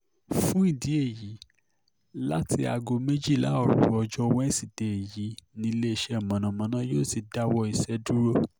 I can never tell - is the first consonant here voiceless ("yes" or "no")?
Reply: yes